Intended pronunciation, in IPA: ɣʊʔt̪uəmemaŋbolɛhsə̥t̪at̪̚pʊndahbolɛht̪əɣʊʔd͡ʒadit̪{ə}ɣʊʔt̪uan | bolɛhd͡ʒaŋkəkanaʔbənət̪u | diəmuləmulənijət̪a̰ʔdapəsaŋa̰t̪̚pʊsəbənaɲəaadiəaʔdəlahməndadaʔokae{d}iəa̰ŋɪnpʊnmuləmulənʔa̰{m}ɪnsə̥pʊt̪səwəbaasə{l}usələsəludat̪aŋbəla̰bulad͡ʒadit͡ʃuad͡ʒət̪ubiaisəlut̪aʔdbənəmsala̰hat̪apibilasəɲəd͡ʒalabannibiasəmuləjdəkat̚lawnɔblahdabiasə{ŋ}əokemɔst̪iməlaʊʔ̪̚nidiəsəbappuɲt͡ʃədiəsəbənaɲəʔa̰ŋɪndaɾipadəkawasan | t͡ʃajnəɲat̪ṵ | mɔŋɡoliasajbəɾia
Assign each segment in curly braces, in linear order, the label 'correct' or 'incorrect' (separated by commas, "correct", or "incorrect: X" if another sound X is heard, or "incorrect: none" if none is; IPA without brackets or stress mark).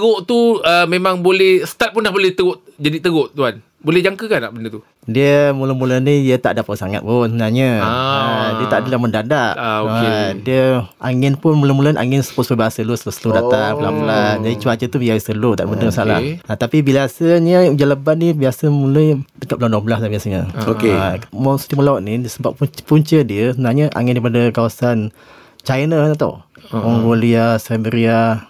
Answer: correct, correct, incorrect: ŋ, correct, incorrect: ɲ